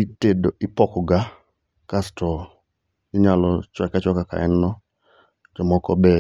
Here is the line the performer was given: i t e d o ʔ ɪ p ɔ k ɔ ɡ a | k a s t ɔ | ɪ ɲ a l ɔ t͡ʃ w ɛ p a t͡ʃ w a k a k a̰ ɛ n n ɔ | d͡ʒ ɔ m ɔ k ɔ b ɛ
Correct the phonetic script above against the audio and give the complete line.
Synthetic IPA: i t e d o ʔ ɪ p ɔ k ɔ ɡ a | k a s t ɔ | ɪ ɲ a l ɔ t͡ʃ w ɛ k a t͡ʃ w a k a k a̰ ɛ n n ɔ | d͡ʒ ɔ m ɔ k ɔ b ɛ